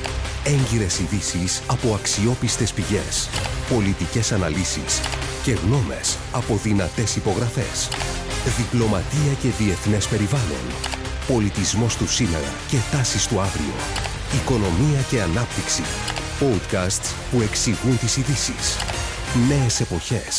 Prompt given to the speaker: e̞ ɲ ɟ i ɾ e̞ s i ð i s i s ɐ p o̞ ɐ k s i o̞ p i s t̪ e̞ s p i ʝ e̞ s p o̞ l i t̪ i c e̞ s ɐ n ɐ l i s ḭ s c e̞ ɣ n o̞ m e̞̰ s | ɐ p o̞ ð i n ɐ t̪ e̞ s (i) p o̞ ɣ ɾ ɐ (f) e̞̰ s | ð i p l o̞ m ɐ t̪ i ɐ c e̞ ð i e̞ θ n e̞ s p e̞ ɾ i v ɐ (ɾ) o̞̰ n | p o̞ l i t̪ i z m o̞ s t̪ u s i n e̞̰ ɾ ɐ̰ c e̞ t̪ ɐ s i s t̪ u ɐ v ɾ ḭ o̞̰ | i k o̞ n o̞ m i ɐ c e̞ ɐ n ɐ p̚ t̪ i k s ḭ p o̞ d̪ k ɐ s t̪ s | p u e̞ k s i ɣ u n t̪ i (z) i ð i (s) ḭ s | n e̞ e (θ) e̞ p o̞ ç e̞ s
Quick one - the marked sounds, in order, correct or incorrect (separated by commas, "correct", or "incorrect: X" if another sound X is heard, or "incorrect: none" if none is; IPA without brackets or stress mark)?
correct, correct, incorrect: l, incorrect: s, correct, incorrect: s